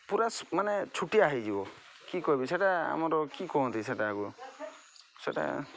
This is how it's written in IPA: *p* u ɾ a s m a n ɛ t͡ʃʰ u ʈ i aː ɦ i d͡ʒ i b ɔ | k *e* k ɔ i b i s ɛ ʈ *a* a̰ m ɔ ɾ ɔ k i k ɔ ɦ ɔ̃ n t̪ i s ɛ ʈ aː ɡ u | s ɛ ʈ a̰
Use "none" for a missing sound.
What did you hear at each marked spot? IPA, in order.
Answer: p, i, a

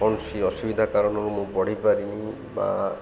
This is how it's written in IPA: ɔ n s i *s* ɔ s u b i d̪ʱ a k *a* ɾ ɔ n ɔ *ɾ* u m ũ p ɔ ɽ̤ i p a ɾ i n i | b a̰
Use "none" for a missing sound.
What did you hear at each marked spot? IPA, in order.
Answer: none, a, ɾ

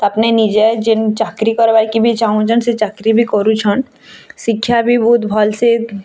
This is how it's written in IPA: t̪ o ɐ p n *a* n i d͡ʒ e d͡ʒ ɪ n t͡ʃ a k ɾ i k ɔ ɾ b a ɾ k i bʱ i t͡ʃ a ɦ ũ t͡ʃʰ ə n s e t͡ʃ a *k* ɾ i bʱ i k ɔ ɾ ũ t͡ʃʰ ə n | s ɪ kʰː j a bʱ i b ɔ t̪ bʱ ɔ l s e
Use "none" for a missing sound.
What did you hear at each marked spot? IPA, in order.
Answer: e, k

